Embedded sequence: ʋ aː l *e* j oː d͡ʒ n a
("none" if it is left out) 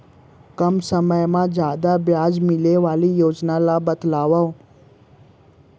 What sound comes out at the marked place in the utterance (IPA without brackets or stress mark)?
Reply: i